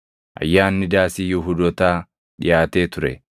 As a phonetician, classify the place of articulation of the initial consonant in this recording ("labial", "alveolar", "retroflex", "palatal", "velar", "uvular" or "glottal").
glottal